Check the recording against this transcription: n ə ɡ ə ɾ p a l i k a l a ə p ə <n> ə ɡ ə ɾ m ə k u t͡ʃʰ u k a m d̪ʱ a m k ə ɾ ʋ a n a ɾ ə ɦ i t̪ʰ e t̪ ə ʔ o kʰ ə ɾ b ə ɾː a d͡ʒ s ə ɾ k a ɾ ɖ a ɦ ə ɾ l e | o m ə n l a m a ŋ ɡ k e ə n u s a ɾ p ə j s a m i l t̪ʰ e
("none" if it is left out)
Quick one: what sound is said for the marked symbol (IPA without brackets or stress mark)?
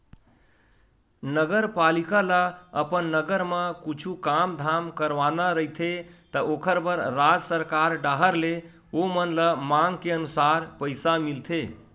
nː